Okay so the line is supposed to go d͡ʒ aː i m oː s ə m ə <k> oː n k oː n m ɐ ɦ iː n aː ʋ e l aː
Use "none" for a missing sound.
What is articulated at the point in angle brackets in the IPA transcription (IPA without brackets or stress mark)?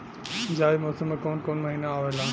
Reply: k